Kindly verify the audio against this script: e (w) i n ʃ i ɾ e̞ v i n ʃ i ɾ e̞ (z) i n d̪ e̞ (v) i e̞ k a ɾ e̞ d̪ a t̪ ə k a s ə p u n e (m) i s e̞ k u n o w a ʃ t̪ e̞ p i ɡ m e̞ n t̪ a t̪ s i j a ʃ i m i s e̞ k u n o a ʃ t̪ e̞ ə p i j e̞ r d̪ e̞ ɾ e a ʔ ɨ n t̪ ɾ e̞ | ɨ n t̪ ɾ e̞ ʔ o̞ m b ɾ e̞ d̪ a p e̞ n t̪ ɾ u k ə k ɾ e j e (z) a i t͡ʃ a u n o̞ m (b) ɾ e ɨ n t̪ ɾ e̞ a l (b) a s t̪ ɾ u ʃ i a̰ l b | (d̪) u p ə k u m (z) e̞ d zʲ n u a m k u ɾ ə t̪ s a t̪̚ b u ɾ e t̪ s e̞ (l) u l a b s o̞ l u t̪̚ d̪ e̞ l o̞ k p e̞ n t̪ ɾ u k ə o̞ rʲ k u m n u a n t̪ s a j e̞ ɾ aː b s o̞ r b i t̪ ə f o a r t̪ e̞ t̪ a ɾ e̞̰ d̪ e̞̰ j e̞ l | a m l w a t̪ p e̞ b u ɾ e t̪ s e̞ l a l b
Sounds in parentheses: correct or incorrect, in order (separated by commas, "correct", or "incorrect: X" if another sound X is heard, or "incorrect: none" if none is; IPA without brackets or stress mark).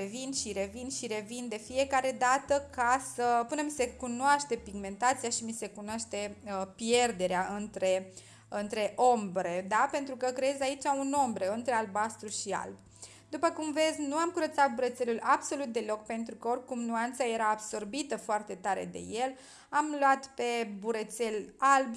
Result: incorrect: v, incorrect: v, incorrect: f, correct, correct, correct, correct, correct, incorrect: v, correct